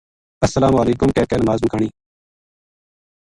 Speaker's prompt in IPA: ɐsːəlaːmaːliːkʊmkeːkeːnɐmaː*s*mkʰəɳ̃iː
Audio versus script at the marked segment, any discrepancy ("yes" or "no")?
yes